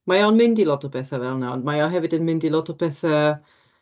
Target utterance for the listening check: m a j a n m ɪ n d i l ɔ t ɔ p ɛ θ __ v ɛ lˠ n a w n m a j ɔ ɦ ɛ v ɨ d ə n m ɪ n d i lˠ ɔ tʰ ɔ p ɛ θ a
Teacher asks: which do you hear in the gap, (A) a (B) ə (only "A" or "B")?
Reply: A